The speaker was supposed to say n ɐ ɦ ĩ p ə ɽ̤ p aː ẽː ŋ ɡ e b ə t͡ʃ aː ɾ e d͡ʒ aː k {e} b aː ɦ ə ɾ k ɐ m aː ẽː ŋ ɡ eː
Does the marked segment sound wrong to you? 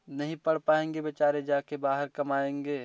no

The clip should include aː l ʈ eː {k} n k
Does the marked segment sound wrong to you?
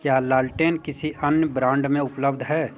yes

